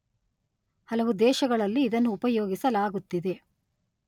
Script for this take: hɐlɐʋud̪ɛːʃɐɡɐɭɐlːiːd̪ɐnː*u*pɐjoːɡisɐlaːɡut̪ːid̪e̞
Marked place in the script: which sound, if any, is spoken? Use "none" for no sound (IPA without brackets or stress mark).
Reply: uː